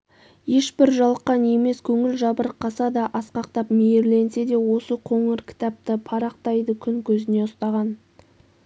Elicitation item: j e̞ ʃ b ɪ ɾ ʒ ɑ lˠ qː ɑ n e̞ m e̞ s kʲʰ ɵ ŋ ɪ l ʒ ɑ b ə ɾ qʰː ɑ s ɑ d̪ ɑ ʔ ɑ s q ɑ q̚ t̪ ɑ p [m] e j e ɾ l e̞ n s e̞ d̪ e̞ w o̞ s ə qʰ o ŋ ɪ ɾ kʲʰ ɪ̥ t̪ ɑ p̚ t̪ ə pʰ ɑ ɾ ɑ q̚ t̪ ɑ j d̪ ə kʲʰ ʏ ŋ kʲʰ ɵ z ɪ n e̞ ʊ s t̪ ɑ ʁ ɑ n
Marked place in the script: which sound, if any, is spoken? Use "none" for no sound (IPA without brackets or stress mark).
m